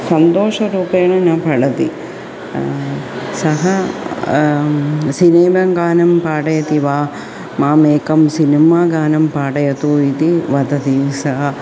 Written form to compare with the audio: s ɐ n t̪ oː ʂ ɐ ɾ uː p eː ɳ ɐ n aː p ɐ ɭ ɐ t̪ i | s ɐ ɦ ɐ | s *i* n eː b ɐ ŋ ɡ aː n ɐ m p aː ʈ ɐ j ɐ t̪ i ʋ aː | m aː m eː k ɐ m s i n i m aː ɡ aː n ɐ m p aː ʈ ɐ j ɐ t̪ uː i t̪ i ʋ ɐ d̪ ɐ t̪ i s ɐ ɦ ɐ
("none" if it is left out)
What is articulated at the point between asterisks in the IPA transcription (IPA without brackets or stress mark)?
i